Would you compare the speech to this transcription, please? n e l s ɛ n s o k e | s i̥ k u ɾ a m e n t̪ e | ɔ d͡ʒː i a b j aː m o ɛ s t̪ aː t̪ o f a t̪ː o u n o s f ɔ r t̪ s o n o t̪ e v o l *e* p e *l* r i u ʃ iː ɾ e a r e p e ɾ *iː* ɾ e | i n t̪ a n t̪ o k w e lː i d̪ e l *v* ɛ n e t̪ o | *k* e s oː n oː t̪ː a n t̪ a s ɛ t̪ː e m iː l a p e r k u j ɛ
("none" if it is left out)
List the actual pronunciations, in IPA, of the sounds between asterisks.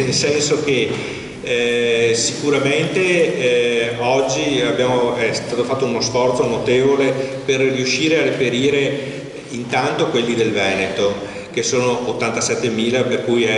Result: e, r, iː, v, k

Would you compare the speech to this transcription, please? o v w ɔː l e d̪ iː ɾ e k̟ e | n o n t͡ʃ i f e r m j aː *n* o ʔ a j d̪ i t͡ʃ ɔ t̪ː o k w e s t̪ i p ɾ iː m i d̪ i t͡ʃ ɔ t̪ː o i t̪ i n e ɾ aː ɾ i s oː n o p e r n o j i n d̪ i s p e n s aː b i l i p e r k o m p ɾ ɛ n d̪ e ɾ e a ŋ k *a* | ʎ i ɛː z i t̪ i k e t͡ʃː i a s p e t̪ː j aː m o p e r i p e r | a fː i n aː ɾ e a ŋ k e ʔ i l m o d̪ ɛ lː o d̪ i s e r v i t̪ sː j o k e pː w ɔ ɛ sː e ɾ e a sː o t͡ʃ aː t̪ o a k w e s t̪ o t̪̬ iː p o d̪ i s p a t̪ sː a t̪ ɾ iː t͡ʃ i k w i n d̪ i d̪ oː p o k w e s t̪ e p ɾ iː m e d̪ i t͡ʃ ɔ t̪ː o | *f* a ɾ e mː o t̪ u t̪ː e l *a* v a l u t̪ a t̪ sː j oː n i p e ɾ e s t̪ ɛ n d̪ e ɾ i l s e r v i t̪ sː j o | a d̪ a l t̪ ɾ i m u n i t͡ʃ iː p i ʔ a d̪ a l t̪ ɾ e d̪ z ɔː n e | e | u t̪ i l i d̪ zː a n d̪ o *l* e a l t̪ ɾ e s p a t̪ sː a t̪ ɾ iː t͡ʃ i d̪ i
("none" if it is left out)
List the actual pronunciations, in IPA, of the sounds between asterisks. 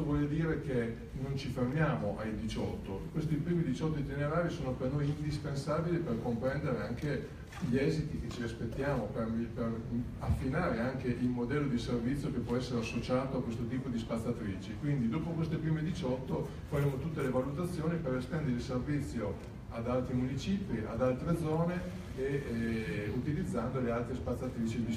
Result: m, e, f, e, l

